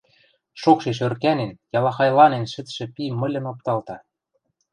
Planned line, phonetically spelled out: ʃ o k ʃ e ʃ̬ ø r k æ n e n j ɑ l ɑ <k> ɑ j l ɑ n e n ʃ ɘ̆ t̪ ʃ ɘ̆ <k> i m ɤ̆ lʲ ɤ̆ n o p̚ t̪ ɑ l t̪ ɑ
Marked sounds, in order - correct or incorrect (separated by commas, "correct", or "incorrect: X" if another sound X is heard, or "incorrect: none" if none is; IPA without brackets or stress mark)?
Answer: incorrect: x, incorrect: p